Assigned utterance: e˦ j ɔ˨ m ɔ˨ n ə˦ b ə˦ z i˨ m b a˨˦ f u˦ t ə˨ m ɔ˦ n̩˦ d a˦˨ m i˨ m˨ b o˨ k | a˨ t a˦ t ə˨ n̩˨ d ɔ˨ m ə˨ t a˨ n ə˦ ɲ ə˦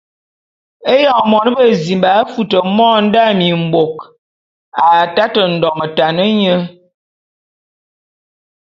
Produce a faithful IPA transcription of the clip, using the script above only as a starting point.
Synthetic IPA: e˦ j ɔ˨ m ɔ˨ n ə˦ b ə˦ z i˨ m b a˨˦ f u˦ t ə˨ m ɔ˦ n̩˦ d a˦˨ m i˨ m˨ b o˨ k | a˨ t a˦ t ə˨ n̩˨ d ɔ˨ m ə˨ t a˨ n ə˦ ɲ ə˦